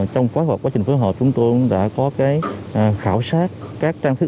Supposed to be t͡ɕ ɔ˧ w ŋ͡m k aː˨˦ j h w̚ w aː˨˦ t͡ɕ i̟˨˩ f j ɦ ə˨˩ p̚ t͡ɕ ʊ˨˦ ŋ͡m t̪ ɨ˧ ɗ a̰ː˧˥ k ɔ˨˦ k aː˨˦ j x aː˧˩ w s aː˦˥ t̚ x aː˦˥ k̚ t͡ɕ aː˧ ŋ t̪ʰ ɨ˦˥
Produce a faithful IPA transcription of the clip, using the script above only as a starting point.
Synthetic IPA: t͡ɕ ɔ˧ w ŋ͡m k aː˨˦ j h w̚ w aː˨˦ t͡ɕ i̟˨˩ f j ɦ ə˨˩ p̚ t͡ɕ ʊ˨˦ ŋ͡m t̪ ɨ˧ ɗ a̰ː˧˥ k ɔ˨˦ k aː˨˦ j x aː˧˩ w s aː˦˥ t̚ k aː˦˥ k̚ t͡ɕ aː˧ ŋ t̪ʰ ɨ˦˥